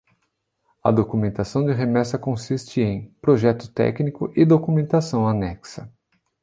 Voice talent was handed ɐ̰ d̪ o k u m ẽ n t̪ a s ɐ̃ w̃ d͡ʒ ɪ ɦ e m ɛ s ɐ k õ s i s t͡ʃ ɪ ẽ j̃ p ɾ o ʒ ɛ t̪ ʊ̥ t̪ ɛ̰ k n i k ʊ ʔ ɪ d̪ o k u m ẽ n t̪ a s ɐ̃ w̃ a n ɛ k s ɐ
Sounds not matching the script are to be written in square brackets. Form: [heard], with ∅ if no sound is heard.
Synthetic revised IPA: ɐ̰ d̪ o k u m ẽ n t̪ a s ɐ̃ w̃ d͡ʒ ɪ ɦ e m ɛ s ɐ k õ s i s t͡ʃ ɪ ẽ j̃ p ɾ o ʒ ɛ t̪ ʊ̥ t̪ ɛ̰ k n i k ʊ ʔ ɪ d̪ o k u m ẽ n t̪ a s ɐ̃ w̃ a n ɛ k s ɐ